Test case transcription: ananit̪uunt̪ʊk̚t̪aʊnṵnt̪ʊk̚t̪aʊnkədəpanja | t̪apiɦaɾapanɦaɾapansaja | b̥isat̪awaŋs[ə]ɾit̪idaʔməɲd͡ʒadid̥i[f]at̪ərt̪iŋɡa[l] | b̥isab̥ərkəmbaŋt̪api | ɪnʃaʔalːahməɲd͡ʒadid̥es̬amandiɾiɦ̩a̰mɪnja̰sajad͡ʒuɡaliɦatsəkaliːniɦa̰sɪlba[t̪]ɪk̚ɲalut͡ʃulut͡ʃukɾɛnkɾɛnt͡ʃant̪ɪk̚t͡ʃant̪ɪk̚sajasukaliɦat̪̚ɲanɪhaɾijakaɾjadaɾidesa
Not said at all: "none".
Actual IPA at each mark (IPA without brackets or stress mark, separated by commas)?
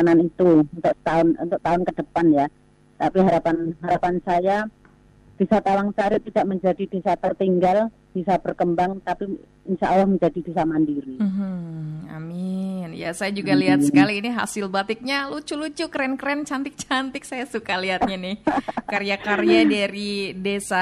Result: a, s, l, t̪